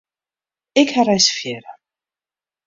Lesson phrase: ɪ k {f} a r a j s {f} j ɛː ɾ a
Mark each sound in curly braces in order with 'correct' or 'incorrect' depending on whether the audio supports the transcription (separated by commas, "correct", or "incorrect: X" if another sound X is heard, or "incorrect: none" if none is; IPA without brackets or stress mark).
incorrect: h, correct